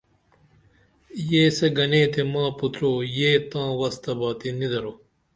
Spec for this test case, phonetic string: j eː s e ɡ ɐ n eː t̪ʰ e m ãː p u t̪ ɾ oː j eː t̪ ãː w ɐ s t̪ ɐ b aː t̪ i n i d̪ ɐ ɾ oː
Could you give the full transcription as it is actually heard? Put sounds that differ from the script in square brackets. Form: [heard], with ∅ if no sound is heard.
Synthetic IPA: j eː s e ɡ ɐ n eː t̪ʰ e m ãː p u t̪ ɾ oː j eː t̪ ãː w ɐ s t̪ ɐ b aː t̪ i n i d̪ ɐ ɾ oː